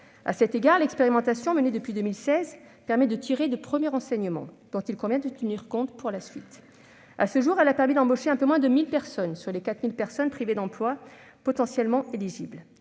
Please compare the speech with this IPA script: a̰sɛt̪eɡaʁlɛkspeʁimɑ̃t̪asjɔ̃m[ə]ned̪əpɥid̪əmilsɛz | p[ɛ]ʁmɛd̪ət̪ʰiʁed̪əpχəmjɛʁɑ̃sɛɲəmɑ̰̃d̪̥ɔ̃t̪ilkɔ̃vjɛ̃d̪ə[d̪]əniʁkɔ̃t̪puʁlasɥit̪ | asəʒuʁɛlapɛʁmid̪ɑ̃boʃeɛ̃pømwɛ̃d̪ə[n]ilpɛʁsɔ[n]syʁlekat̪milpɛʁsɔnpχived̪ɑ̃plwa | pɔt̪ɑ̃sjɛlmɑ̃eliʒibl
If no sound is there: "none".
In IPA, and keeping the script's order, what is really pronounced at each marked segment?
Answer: ə, ɛ, t̪, m, n

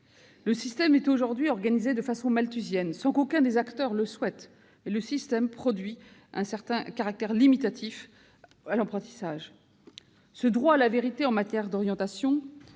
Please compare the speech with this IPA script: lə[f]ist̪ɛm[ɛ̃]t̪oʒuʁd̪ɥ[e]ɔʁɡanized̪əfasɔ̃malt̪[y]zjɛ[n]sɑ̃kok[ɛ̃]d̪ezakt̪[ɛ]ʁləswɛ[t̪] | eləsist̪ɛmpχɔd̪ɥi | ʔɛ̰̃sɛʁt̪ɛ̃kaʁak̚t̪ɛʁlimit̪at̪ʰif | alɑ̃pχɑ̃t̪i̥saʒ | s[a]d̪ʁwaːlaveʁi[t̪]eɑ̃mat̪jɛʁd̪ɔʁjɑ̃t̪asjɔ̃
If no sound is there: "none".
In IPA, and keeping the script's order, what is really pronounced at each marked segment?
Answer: s, ɛ, i, y, n, ɛ̃, œ, t̪, ə, t̪

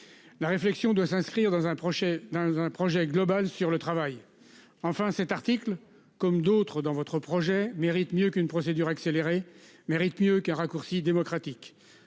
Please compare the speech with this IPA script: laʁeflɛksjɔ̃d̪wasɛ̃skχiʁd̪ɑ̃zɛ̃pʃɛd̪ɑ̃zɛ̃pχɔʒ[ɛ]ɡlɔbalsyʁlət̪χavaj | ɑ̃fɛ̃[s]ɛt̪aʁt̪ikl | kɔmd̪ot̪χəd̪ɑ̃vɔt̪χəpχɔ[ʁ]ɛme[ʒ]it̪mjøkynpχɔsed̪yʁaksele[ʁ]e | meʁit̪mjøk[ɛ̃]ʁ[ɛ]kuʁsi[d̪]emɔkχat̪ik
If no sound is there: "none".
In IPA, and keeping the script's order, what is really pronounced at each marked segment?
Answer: ɛ, s, ʒ, ʁ, ʁ, ɛ̃, a, d̪

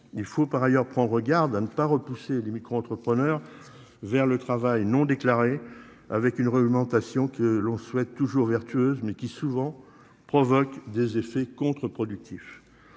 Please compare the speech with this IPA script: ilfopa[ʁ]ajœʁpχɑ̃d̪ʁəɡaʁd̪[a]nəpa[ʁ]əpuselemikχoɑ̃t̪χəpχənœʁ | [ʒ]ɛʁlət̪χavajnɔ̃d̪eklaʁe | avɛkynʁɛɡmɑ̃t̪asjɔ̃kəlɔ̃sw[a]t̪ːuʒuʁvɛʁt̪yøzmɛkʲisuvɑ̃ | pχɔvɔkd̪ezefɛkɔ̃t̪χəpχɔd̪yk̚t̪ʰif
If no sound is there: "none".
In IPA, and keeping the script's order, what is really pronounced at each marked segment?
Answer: ʁ, a, ʁ, v, ɛ

